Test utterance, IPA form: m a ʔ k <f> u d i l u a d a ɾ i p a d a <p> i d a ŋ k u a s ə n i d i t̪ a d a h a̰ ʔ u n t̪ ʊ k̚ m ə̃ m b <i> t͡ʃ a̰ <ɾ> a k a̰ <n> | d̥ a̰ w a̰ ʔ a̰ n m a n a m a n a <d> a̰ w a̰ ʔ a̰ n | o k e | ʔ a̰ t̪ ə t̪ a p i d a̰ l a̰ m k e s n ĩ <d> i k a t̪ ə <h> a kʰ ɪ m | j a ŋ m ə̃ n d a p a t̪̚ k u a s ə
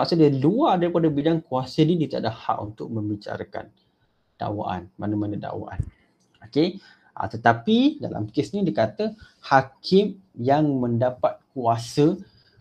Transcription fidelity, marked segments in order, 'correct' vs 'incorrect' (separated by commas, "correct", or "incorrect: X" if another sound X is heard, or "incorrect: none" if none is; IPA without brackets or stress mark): incorrect: s, incorrect: b, correct, correct, correct, correct, correct, correct